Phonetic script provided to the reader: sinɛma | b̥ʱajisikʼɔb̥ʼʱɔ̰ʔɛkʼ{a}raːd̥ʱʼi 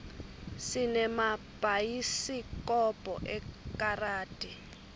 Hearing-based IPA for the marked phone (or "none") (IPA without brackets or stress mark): a